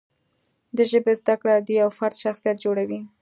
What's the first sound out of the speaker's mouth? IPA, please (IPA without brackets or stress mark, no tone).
d̪